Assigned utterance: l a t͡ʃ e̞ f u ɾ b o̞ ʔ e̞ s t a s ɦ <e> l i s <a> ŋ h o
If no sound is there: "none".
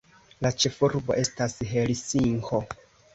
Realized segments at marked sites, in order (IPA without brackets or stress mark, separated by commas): e, i